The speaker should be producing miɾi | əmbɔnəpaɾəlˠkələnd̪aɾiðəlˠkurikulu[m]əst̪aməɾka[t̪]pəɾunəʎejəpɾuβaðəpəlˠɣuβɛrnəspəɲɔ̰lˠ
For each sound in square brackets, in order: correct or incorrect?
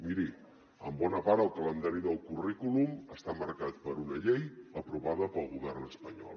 correct, correct

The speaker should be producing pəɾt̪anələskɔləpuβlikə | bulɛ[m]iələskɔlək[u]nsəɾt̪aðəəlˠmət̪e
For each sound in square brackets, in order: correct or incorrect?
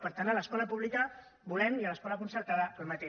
correct, correct

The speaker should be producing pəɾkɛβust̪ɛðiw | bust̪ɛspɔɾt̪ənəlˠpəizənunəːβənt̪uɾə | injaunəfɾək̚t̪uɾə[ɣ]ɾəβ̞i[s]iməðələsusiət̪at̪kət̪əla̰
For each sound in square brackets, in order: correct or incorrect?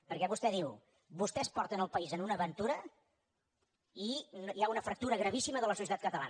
correct, correct

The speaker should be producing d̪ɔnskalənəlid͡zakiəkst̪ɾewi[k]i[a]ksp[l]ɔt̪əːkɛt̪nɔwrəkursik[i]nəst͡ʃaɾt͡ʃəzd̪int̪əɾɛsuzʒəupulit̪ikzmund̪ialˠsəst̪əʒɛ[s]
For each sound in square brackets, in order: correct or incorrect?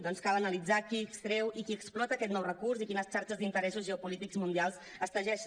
correct, incorrect: ə, correct, correct, incorrect: ʃ

